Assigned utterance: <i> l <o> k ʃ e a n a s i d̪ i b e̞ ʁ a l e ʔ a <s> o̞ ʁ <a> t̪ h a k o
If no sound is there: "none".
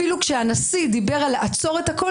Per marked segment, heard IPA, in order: i, u, t͡s, e

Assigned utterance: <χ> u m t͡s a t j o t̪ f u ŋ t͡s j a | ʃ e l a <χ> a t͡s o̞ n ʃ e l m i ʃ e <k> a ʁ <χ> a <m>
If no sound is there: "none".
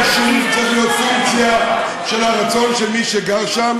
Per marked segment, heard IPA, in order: ʃ, ʁ, ɡ, ʃ, m

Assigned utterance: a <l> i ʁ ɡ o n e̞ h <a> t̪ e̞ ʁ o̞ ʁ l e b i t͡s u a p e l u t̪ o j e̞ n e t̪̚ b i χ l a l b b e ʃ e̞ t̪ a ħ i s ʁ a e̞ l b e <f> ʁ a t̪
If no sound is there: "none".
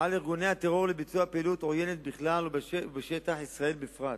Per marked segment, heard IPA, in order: l, a, f

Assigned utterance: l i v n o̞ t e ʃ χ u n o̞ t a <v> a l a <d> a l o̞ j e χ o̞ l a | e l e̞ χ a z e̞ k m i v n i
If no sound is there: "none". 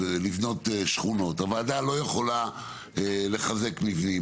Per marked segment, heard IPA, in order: v, d

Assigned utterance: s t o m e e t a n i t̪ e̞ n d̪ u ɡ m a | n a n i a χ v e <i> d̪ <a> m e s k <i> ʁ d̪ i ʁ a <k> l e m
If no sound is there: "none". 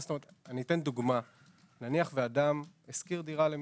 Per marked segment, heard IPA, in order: a, a, i, none

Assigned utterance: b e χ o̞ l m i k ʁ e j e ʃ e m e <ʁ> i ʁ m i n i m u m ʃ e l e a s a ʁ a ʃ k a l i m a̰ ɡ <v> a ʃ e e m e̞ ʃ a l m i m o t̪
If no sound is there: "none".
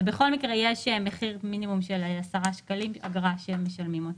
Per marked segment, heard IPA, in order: χ, ʁ

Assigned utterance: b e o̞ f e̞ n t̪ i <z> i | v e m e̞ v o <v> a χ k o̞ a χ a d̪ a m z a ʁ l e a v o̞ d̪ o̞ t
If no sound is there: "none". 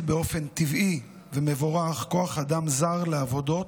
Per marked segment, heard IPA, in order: v, ʁ

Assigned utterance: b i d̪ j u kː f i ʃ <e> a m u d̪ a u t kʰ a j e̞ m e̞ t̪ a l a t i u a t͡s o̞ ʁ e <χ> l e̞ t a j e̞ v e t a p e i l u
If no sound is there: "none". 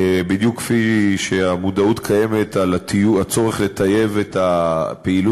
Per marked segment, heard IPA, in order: e, χ

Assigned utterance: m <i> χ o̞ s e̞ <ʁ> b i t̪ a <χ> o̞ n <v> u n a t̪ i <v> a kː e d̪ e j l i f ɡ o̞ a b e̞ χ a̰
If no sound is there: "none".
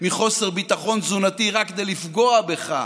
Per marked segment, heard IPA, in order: i, ʁ, χ, z, ʁ

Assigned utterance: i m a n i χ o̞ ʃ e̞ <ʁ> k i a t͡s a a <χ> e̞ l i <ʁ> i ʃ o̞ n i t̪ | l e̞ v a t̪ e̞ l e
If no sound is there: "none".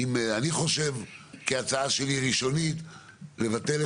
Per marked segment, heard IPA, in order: v, ʃ, ʁ

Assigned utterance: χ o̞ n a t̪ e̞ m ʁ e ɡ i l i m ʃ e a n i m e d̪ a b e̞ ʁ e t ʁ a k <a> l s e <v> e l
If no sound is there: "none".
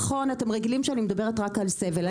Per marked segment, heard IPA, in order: a, v

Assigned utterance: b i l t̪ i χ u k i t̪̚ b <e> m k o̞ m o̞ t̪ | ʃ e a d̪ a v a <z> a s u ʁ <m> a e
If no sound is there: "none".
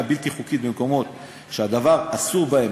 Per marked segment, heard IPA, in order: e, ʁ, b

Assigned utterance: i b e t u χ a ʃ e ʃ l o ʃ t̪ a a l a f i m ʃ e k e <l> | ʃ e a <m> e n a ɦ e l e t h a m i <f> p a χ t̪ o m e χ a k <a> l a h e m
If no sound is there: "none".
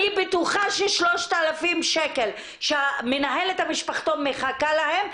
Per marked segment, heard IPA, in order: l, m, ʃ, a

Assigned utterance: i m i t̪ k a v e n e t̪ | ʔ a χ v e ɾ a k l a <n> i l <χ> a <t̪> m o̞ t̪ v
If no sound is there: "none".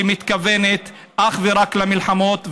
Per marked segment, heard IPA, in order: m, ħ, none

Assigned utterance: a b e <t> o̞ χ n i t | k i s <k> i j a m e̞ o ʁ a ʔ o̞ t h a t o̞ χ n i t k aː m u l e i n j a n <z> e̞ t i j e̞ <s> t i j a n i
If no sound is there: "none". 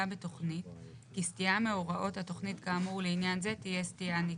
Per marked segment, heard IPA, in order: t, t, z, s

